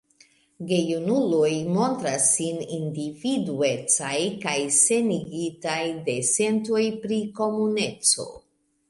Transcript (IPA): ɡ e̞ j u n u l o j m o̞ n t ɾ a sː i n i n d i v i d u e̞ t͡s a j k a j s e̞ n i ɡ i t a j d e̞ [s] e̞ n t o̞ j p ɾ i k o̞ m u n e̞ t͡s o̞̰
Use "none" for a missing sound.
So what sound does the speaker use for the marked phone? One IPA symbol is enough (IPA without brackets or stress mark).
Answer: s